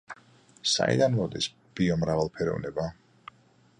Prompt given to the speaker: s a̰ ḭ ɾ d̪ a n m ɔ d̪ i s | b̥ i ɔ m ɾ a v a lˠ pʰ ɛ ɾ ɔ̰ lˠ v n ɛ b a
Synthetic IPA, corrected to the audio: s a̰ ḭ d̪ a n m ɔ d̪ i s | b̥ i ɔ m ɾ a v a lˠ pʰ ɛ ɾ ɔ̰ v n ɛ b a